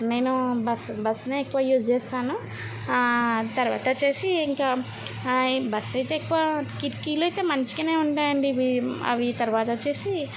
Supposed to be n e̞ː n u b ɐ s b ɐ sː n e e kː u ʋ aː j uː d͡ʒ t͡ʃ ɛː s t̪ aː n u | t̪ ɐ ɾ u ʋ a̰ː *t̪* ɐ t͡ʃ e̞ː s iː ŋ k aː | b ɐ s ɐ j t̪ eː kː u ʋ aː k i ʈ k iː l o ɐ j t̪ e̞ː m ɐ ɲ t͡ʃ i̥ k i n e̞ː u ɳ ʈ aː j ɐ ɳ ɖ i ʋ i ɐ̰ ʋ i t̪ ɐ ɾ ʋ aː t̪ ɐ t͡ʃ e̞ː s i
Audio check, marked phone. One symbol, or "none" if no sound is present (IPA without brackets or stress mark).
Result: t̪